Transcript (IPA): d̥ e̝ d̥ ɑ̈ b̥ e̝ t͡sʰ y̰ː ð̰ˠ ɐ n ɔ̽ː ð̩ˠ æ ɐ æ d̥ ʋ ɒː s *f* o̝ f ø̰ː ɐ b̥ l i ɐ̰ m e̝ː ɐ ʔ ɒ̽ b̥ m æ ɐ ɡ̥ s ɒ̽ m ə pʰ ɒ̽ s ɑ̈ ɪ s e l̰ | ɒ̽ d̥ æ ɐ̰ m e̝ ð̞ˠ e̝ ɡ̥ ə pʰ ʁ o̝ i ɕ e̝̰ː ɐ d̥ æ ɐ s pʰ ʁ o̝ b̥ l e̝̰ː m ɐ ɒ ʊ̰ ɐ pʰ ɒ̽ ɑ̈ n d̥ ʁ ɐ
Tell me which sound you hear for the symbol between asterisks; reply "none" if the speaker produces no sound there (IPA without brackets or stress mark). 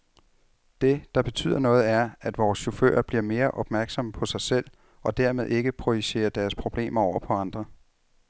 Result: ɕ